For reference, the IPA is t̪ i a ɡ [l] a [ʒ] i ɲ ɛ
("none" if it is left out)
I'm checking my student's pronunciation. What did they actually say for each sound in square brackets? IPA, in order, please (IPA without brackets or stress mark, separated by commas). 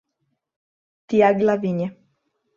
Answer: l, v